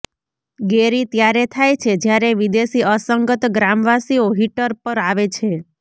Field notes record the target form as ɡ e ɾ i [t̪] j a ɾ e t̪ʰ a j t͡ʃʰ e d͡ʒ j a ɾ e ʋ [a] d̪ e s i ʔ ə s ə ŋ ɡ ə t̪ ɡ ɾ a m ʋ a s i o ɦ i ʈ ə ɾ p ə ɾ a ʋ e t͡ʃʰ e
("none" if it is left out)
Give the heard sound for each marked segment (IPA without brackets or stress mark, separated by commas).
t̪, i